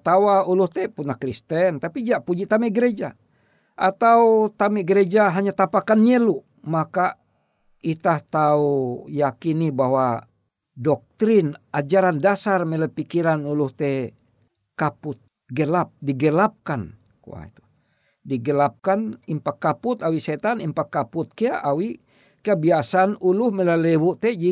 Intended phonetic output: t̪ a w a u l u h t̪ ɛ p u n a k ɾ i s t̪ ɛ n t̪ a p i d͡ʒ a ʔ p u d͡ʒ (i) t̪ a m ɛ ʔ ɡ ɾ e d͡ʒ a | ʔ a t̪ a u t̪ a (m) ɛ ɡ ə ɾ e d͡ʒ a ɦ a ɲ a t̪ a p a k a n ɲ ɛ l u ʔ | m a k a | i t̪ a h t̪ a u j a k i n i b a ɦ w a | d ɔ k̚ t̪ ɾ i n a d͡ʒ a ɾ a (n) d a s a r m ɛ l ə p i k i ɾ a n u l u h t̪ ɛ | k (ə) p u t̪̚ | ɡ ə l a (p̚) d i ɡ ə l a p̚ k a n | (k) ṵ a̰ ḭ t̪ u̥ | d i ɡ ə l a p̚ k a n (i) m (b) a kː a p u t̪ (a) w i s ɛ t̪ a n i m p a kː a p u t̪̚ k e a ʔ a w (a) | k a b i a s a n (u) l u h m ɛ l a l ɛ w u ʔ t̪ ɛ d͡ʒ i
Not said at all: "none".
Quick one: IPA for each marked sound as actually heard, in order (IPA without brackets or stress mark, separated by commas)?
i, m, n, a, p̚, k, i, p, a, i, u